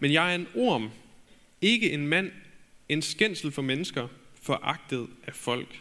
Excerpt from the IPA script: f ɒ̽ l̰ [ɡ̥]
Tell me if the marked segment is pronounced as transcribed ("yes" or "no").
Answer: yes